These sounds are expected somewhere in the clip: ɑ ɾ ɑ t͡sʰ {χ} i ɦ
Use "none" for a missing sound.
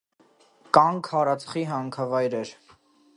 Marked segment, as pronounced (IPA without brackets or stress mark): χ